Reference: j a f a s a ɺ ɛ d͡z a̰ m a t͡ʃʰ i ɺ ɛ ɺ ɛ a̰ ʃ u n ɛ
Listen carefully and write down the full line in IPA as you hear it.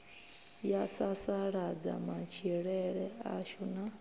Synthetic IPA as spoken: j a s a s a ɺ a d͡z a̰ m a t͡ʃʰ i ɺ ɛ ɺ ɛ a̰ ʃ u n a

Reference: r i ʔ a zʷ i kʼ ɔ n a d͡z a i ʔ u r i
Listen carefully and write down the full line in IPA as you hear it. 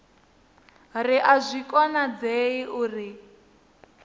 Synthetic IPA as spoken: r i ʔ a zʷ i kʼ ɔ n a d͡z e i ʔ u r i

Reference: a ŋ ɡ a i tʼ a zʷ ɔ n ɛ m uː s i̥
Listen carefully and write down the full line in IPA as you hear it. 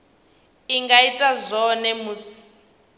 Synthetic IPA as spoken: i ŋ ɡ a i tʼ a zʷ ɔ n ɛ m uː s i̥

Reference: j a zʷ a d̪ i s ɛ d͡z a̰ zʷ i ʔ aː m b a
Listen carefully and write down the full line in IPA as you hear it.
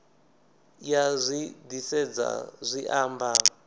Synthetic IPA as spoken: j a zʷ i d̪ i s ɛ d͡z a̰ zʷ i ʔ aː m b a

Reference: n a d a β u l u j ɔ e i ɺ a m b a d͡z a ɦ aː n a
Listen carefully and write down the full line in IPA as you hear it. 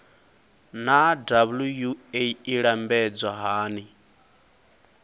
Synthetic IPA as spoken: n a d a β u l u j u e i ɺ a m b ɛ d͡z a ɦ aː n i

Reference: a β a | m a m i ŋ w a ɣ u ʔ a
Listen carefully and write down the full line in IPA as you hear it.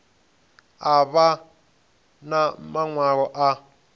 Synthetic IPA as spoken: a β a | n a m a ŋ w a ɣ ɔ ʔ a

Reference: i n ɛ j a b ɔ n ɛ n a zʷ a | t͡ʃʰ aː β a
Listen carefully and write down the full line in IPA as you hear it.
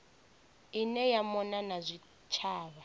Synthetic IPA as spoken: i n ɛ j a m ɔ n a n a zʷ i | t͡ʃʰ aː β a

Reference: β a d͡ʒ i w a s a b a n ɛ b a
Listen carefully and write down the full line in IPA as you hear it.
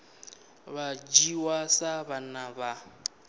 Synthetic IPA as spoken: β a d͡ʒ i w a s a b a n a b a

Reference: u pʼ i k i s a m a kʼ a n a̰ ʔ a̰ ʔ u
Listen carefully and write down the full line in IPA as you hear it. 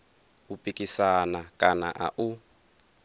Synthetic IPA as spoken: u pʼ i k i s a n a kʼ a n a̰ ʔ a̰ ʔ u

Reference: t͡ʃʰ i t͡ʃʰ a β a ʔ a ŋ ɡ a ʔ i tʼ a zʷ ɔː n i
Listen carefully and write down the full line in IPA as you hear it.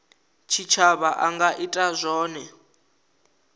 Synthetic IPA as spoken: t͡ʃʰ i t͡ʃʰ a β a ʔ a ŋ ɡ a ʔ i tʼ a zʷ ɔː n ɛ

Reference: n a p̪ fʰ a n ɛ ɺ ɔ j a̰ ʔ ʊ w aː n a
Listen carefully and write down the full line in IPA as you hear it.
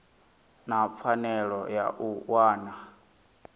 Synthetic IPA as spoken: n a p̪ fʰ a n ɛ ɺ ɔ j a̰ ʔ u w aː n a

